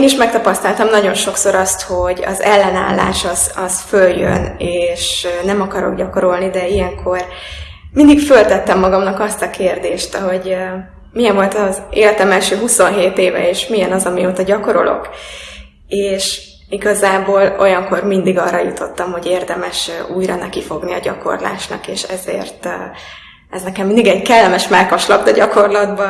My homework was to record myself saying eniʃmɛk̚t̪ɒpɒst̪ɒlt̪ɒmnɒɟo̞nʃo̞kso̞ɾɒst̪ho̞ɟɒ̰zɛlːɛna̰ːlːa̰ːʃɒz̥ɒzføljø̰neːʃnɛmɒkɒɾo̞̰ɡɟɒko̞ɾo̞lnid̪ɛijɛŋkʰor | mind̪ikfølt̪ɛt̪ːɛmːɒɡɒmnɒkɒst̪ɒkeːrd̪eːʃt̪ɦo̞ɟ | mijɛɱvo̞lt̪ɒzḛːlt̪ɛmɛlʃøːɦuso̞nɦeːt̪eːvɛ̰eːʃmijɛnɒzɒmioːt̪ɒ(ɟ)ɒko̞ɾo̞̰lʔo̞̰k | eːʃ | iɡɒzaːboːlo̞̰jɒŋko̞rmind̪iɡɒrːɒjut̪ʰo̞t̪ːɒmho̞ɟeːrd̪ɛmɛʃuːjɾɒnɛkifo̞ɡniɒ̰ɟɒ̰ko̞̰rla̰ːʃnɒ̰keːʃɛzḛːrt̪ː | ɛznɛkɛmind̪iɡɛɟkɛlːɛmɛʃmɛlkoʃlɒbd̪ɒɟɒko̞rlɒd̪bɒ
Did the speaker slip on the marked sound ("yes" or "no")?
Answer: no